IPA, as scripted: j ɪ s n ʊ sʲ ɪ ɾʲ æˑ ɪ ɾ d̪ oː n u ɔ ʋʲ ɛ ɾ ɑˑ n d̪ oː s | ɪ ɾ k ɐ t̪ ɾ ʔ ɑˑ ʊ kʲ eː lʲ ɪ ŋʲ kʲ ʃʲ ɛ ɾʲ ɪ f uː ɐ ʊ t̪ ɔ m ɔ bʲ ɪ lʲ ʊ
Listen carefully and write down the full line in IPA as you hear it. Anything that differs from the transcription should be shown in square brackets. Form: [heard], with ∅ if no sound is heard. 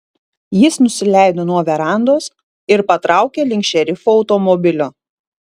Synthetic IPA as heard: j ɪ s n ʊ sʲ ɪ [lʲ] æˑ ɪ [∅] d̪ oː n u ɔ ʋʲ ɛ ɾ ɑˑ n d̪ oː s | ɪ ɾ [p] ɐ t̪ ɾ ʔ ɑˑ ʊ kʲ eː lʲ ɪ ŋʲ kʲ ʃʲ ɛ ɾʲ ɪ f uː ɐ ʊ t̪ ɔ m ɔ bʲ ɪ lʲ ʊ